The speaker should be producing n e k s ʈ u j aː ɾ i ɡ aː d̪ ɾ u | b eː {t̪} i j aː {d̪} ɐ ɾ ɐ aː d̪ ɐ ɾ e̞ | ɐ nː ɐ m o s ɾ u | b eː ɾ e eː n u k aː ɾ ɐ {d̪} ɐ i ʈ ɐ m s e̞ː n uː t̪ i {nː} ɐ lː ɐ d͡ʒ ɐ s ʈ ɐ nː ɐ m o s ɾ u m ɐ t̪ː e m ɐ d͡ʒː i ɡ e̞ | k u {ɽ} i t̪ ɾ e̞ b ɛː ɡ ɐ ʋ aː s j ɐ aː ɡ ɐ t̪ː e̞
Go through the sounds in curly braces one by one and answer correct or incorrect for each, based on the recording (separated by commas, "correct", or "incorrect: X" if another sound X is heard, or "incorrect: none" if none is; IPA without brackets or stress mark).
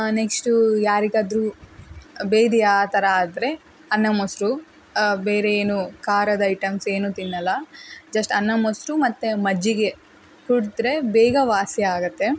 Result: incorrect: d̪, incorrect: t̪, correct, correct, correct